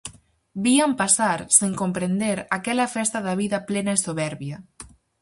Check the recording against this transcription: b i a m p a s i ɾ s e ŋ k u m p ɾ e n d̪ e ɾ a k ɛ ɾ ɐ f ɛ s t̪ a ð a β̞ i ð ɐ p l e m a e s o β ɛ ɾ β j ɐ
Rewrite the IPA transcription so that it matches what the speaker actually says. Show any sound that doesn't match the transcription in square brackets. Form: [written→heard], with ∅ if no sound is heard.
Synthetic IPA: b i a m p a s [i→a] ɾ s e ŋ k [u→o] m p ɾ e n d̪ e ɾ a k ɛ [ɾ→l] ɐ f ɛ s t̪ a ð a β̞ i ð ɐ p l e [m→n] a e s o β ɛ ɾ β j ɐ

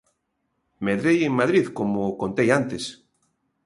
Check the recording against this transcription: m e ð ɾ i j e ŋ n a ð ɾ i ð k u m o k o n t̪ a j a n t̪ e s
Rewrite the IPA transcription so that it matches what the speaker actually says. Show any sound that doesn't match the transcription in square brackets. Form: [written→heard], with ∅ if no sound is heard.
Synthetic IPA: m e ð ɾ [i→e] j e ŋ [n→m] a ð ɾ i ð k [u→o] m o k o n t̪ [a→e] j a n t̪ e s

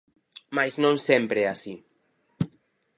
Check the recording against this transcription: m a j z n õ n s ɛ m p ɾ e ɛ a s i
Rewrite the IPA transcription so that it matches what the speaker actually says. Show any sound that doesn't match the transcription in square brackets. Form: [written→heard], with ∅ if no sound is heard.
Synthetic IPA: m a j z n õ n s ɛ m p ɾ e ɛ a s i

